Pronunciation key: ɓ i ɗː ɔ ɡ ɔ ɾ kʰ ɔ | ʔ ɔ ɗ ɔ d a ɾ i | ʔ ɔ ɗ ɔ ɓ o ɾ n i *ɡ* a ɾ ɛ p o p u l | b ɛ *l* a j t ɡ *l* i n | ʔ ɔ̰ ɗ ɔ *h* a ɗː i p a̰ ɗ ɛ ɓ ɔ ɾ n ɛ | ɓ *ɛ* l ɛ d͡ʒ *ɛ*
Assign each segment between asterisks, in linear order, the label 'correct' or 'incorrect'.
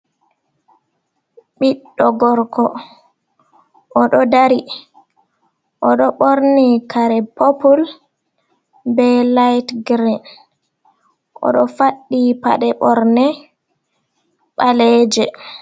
incorrect, correct, incorrect, incorrect, incorrect, correct

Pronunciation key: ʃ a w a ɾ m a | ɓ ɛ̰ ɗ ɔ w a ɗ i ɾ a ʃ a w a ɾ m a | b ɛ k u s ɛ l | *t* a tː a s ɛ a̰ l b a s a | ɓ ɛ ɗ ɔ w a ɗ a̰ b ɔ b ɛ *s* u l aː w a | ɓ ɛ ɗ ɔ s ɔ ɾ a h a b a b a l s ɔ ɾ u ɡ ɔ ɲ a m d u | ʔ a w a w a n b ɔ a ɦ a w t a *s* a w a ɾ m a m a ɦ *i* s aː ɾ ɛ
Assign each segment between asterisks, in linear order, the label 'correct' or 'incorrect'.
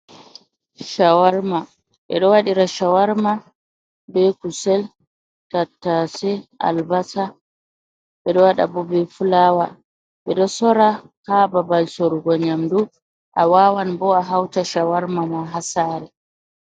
correct, incorrect, incorrect, incorrect

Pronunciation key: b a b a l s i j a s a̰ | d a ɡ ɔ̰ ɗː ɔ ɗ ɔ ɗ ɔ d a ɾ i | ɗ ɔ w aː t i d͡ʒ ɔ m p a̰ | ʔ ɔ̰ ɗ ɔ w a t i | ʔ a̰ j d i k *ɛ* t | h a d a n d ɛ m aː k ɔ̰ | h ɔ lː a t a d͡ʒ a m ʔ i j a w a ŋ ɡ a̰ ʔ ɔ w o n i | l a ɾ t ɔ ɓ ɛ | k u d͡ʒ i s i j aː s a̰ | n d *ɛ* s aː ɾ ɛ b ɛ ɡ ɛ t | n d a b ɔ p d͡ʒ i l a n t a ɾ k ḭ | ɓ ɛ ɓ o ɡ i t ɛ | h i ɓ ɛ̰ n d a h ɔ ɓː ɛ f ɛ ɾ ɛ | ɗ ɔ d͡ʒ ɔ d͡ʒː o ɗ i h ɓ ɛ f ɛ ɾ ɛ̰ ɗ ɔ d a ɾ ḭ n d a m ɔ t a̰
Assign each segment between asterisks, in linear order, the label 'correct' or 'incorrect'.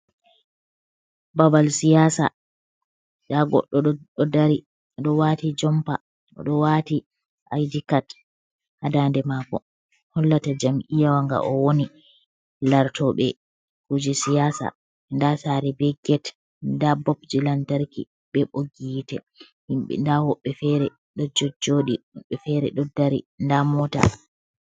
incorrect, incorrect

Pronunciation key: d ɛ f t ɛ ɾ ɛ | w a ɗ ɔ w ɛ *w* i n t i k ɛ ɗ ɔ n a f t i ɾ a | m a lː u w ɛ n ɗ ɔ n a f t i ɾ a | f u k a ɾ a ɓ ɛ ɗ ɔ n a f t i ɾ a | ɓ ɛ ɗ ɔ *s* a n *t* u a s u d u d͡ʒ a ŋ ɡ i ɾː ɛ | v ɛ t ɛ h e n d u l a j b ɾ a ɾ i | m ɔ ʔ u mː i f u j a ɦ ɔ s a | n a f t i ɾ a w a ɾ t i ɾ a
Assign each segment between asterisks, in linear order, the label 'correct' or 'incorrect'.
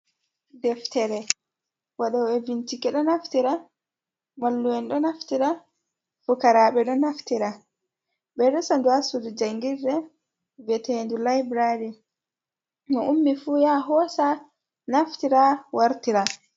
incorrect, correct, incorrect

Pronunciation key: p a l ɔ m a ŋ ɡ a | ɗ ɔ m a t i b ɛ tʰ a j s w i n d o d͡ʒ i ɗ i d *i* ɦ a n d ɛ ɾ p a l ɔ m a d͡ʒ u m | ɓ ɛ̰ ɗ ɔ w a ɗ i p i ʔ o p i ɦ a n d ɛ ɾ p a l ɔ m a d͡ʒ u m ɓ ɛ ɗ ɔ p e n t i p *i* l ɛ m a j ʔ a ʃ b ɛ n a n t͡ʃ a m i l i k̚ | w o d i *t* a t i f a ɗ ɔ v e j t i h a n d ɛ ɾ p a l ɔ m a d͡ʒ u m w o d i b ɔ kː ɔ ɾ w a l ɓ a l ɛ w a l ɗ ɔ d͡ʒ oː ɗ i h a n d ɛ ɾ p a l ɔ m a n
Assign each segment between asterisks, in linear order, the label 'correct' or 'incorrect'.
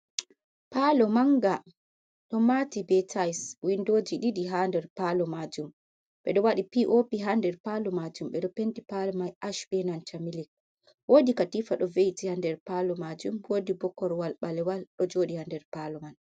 correct, incorrect, incorrect

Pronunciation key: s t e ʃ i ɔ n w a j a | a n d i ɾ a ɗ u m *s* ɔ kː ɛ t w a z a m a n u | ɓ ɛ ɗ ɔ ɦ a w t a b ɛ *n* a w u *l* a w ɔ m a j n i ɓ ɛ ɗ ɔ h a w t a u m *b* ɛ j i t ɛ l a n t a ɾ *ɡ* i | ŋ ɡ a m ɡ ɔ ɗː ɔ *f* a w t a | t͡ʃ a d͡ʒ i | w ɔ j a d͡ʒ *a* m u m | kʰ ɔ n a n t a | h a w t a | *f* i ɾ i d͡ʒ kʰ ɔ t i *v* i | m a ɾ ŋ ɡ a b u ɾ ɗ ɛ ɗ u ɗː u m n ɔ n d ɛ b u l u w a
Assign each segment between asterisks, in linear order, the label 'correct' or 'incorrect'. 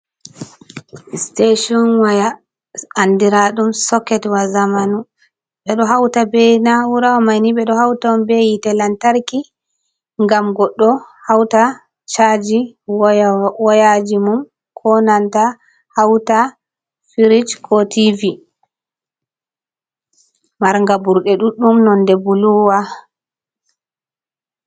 correct, correct, incorrect, correct, incorrect, incorrect, incorrect, correct, correct

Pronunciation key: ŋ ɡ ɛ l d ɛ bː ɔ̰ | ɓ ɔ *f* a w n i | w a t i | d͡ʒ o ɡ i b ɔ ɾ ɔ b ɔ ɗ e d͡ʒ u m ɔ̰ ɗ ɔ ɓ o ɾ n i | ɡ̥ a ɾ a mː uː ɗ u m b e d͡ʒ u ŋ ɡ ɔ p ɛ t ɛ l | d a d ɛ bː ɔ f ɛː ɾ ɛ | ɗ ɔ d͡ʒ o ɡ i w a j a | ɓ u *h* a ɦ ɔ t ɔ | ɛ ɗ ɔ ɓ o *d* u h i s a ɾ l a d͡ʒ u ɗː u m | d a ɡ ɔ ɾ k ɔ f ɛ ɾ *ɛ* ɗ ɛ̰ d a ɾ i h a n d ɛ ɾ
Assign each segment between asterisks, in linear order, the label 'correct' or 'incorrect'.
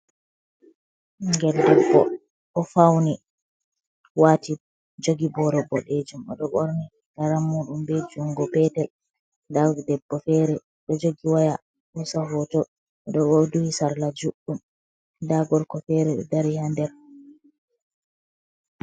correct, incorrect, correct, correct

